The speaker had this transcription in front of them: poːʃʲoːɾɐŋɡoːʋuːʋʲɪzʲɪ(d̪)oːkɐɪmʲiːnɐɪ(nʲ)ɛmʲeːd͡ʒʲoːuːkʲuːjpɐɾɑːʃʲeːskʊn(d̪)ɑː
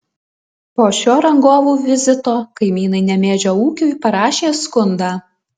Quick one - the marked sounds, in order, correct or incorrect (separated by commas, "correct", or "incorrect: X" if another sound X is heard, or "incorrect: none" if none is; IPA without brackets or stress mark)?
incorrect: t̪, correct, correct